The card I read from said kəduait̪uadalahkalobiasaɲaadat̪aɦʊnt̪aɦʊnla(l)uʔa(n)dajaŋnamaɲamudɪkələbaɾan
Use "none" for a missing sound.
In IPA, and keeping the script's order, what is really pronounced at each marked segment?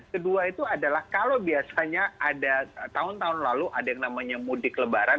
l, none

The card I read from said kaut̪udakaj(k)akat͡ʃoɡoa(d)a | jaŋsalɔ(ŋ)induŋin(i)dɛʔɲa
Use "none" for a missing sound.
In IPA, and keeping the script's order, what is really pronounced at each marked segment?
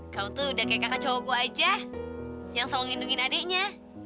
k, d͡ʒ, ŋ, a

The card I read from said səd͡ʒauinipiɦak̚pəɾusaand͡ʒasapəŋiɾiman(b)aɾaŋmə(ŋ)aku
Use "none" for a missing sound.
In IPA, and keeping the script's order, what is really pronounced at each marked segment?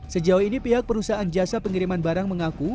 b, ŋ

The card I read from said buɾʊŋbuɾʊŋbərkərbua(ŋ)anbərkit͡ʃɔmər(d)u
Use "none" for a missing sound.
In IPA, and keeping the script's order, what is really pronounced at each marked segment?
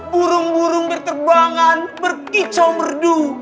ŋ, d

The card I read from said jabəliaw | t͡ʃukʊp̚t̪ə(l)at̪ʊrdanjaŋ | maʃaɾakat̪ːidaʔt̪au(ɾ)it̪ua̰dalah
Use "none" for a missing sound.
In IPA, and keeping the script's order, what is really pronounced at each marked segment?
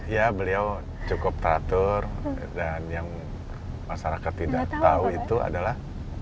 ɾ, none

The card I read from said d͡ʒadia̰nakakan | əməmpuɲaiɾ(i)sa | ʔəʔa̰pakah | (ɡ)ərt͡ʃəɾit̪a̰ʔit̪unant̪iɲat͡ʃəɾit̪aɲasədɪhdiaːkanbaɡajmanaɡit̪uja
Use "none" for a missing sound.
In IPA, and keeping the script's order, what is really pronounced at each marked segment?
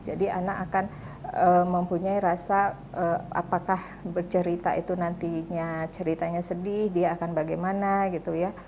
a, b

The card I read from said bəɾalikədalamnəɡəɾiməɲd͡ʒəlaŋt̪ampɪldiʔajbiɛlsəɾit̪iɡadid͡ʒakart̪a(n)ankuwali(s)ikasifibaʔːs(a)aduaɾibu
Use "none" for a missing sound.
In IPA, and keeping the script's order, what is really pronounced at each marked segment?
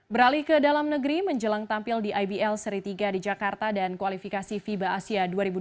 d, f, i

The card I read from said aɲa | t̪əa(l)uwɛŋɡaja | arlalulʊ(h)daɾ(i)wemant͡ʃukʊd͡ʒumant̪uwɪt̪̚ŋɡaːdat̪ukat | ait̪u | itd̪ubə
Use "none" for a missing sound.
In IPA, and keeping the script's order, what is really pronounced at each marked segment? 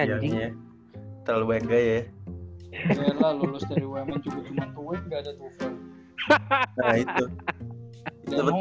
l, s, i

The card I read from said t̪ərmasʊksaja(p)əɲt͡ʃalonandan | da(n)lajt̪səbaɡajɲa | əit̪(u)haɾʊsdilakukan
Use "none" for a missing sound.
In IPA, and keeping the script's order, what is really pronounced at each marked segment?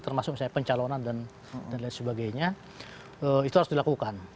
p, n, u

